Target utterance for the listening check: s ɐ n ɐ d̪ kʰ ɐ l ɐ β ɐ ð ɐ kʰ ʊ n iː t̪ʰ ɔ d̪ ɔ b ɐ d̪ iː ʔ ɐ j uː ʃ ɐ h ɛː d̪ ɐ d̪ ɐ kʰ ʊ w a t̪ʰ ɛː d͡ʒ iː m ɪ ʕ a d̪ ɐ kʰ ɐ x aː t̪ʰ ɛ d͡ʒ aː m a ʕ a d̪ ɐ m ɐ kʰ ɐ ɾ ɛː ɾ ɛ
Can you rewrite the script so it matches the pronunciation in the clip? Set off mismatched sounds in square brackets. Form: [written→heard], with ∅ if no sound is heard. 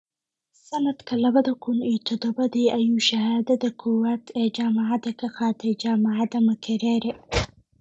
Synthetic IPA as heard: s ɐ n ɐ d̪ kʰ ɐ l ɐ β ɐ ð ɐ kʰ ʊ n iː t̪ʰ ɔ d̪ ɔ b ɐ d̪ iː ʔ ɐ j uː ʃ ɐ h [ɛː→aː] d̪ ɐ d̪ ɐ kʰ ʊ w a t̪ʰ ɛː d͡ʒ [iː→aː] m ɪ ʕ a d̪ ɐ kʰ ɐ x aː t̪ʰ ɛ d͡ʒ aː m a ʕ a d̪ ɐ m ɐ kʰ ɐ ɾ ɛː ɾ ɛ